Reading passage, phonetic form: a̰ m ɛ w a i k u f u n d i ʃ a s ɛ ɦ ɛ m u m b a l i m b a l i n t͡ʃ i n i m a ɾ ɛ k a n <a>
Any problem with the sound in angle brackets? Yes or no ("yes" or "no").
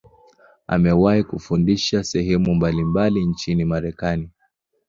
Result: yes